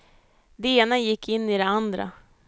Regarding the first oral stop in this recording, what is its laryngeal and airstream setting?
plain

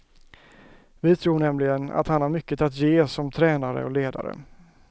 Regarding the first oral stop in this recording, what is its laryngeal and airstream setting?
aspirated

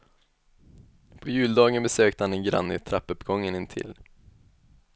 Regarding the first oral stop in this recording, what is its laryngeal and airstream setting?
aspirated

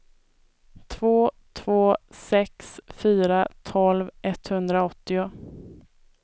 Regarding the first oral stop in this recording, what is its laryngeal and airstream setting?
aspirated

